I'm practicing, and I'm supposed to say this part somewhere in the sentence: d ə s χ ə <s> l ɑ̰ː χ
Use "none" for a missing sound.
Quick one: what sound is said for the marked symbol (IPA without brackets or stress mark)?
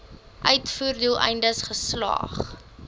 s